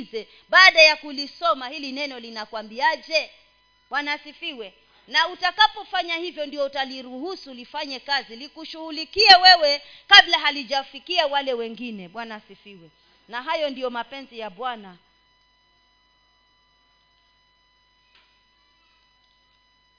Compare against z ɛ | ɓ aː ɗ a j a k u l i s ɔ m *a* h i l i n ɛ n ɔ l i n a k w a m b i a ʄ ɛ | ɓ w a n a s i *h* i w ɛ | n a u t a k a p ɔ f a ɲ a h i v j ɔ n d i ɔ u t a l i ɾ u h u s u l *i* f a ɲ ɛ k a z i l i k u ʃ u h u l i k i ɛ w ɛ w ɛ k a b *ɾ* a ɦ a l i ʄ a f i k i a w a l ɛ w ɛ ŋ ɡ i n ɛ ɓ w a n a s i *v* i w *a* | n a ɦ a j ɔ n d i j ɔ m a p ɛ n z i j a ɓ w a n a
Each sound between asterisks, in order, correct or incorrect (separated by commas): correct, incorrect, correct, incorrect, incorrect, incorrect